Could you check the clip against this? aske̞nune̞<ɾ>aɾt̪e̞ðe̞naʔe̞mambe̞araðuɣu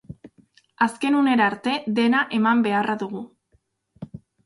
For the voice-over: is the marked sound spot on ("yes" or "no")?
yes